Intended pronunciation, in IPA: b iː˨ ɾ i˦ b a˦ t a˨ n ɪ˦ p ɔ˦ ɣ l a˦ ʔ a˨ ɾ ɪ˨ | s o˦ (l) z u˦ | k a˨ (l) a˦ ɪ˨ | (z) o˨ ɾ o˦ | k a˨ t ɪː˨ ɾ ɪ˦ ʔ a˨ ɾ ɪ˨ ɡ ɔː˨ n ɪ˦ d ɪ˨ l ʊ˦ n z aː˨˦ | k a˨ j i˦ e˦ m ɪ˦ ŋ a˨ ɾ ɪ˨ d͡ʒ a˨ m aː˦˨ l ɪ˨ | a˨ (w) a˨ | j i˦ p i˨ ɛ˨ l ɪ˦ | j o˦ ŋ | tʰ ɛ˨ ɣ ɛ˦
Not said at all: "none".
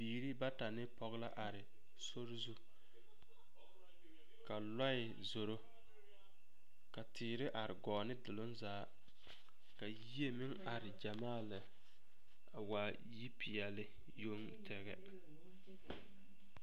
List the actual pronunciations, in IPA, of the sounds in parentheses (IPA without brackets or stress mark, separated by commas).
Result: ɾ, l, z, w